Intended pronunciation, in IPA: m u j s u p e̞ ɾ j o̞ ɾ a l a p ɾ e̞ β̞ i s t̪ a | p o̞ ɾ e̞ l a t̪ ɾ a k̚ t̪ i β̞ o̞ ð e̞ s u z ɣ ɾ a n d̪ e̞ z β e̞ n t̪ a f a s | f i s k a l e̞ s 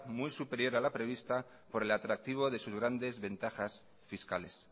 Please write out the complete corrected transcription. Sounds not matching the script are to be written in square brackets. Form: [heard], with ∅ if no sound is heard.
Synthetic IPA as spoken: m u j s u p e̞ ɾ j o̞ ɾ a l a p ɾ e̞ β̞ i s t̪ a | p o̞ ɾ e̞ l a t̪ ɾ a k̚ t̪ i β̞ o̞ ð e̞ s u z ɣ ɾ a n d̪ e̞ z β e̞ n t̪ a [x] a s | f i s k a l e̞ s

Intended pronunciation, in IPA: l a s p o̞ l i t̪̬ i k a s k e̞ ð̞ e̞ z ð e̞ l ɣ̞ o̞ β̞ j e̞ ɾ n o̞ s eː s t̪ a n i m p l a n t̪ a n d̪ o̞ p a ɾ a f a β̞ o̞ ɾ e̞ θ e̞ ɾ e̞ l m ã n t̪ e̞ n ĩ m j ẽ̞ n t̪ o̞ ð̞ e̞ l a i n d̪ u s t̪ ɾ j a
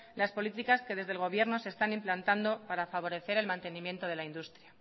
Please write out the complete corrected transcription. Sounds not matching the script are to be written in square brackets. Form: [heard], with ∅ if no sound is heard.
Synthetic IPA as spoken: l a s p o̞ l i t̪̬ i k a s k e̞ ð̞ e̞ z ð e̞ l ɣ̞ o̞ β̞ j e̞ ɾ n o̞ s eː s t̪ a n i m p l a n t̪ a n d̪ o̞ p a ɾ a f a β̞ o̞ ɾ e̞ θ e̞ ɾ e̞ l m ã n t̪ e̞ n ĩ m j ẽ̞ n t̪ o̞ ð̞ e̞ l a i n d̪ u s t̪ ɾ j a

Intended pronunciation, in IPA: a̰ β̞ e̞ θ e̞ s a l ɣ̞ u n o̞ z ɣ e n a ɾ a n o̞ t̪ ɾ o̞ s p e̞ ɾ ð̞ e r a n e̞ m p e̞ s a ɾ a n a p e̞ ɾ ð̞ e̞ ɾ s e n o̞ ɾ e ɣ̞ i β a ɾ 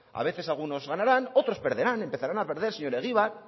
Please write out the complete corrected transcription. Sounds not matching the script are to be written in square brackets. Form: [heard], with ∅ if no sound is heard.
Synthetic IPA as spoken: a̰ β̞ e̞ θ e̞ s a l ɣ̞ u n o̞ z ɣ [a] n a ɾ a n o̞ t̪ ɾ o̞ s p e̞ ɾ ð̞ e [ɾ] a n e̞ m p e̞ [θ] a ɾ a n a p e̞ ɾ ð̞ e̞ ɾ s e [ɲ] o̞ ɾ e ɣ̞ i β a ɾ

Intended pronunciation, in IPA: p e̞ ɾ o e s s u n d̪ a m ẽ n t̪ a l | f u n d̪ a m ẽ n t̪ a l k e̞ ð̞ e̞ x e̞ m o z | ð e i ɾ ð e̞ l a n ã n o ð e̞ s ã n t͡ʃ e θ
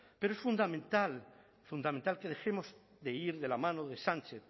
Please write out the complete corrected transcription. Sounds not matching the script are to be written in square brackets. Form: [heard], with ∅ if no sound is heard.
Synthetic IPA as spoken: p e̞ ɾ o e s [f] u n d̪ a m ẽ n t̪ a l | f u n d̪ a m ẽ n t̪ a l k e̞ ð̞ e̞ x e̞ m o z | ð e i ɾ ð e̞ l a [m] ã n o ð e̞ s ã n t͡ʃ e θ

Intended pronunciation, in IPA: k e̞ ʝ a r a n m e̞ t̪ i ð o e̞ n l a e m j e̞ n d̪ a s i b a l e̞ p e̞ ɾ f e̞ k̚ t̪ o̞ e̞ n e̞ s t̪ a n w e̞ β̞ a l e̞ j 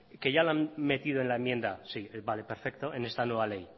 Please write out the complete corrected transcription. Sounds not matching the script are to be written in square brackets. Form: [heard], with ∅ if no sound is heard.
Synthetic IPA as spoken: k e̞ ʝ a [l] a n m e̞ t̪ i ð o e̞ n l a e m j e̞ n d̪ a s i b a l e̞ p e̞ ɾ f e̞ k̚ t̪ o̞ e̞ n e̞ s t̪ a n w e̞ β̞ a l e̞ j

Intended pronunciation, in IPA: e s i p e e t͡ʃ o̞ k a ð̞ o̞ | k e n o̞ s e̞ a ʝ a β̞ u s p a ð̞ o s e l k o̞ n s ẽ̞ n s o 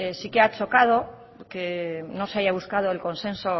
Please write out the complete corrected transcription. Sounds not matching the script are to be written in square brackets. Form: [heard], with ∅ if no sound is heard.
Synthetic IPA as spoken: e s i [k] e [a] t͡ʃ o̞ k a ð̞ o̞ | k e n o̞ s e̞ a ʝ a β̞ u s [k] a ð̞ o [∅] e l k o̞ n s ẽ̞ n s o

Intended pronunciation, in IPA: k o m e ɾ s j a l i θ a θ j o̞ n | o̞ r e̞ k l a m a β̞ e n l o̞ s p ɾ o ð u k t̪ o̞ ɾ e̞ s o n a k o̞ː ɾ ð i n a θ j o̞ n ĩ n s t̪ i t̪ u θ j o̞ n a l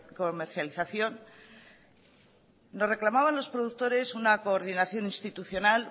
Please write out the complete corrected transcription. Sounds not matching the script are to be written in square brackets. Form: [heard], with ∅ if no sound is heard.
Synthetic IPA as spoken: k o m e ɾ [θ] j a l i θ a θ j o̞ n | o̞ r e̞ k l a m a β̞ [a] n l o̞ s p ɾ o ð u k t̪ o̞ ɾ e̞ s [u] n a k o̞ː ɾ ð i n a θ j o̞ n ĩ n s t̪ i t̪ u θ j o̞ n a l

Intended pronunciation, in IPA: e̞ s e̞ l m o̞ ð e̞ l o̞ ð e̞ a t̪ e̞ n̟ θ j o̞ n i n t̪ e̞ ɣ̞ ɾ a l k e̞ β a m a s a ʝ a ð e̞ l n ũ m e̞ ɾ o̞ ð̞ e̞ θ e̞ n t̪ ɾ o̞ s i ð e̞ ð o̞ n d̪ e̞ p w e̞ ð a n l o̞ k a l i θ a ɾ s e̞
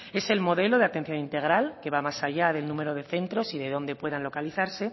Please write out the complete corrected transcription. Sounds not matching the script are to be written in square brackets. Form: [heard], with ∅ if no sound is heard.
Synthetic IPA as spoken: e̞ s e̞ l m o̞ ð e̞ l o̞ ð e̞ a t̪ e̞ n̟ θ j o̞ n i n t̪ e̞ ɣ̞ ɾ a l k e̞ β a m a s a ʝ a ð e̞ l n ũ m e̞ ɾ o̞ ð̞ e̞ θ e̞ n t̪ ɾ o̞ s i ð e̞ ð o̞ n d̪ e̞ p w e̞ ð a n l o̞ k a l i θ a ɾ s e̞

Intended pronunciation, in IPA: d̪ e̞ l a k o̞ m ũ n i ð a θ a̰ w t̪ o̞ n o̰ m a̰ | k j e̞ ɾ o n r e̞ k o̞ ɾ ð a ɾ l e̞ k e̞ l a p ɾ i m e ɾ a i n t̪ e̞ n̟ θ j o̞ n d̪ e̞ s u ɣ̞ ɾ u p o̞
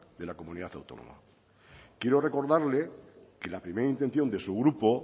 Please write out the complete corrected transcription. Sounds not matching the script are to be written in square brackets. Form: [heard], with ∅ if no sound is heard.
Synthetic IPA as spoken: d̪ e̞ l a k o̞ m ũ n i ð a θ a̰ w t̪ o̞ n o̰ m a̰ | k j e̞ ɾ o [∅] r e̞ k o̞ ɾ ð a ɾ l e̞ k e̞ l a p ɾ i m e ɾ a i n t̪ e̞ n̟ θ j o̞ n d̪ e̞ s u ɣ̞ ɾ u p o̞

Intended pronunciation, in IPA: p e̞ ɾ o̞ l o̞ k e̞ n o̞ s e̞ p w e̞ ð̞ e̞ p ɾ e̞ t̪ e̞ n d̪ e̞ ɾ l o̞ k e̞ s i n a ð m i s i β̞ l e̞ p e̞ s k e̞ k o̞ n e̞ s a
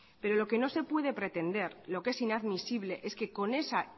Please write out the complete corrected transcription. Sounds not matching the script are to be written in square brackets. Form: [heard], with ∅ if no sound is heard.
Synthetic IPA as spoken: p e̞ ɾ o̞ l o̞ k e̞ n o̞ s e̞ p w e̞ ð̞ e̞ p ɾ e̞ t̪ e̞ n d̪ e̞ ɾ l o̞ k e̞ s i n a ð m i s i β̞ l e̞ [ʔ] e̞ s k e̞ k o̞ n e̞ s a

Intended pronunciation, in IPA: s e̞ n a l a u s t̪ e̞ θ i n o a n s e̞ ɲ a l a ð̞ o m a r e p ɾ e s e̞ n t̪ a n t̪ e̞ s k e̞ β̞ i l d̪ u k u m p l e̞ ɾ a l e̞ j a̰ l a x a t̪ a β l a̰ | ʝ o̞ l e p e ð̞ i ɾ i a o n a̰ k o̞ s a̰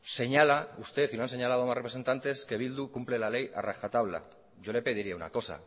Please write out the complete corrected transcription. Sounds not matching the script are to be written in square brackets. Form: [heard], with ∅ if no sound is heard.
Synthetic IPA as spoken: s e̞ [ɲ] a l a u s t̪ e̞ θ i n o a n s e̞ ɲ a l a ð̞ o m a r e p ɾ e s e̞ n t̪ a n t̪ e̞ s k e̞ β̞ i l d̪ u k u m p l e̞ [l] a l e̞ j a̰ [r] a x a t̪ a β l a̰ | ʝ o̞ l e p e ð̞ i ɾ i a [u] n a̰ k o̞ s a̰

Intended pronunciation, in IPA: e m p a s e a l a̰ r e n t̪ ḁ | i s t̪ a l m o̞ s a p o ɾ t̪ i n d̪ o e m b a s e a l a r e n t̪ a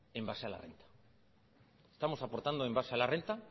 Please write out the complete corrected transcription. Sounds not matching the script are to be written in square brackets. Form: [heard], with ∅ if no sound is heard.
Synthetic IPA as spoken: e m [b] a s e a l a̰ r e n t̪ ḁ | [e] s t̪ a [∅] m o̞ s a p o ɾ t̪ [a] n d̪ o e m b a s e a l a r e n t̪ a

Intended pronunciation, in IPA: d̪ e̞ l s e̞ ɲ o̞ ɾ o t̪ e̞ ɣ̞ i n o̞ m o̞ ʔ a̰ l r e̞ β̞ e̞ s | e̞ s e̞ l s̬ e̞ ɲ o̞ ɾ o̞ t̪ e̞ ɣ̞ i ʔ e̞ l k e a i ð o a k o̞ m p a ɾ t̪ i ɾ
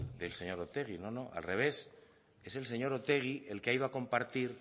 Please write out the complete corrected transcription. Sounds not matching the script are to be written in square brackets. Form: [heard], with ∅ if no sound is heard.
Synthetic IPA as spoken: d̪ e̞ l s e̞ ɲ o̞ ɾ o t̪ e̞ ɣ̞ i n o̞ [n] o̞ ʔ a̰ l r e̞ β̞ e̞ s | e̞ s e̞ l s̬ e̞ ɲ o̞ ɾ o̞ t̪ e̞ ɣ̞ i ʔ e̞ l k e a i ð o a k o̞ m p a ɾ t̪ i ɾ

